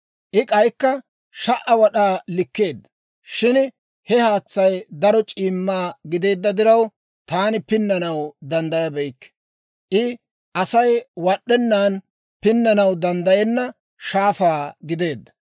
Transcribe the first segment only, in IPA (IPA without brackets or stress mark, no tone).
ʔ